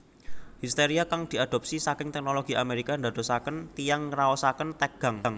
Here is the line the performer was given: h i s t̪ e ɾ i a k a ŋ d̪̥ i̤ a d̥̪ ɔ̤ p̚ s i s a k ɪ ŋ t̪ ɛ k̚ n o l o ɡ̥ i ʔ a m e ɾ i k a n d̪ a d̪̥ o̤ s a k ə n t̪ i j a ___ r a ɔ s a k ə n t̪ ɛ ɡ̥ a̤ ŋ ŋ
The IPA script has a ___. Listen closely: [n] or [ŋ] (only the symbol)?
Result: ŋ